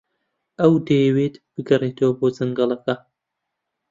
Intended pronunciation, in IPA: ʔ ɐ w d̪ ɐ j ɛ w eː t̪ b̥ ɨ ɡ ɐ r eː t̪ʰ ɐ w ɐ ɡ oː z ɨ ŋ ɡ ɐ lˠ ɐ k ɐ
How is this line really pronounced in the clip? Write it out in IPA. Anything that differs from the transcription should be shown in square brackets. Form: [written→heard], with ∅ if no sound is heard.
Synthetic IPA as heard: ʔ ɐ w d̪ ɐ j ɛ w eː t̪ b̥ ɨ ɡ ɐ r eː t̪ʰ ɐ w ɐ [ɡ→b] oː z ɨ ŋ ɡ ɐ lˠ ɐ k ɐ